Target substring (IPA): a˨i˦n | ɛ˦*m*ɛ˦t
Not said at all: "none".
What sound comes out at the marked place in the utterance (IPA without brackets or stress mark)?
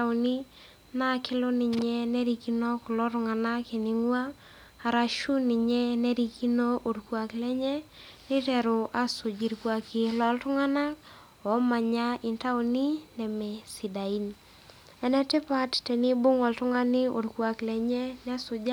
n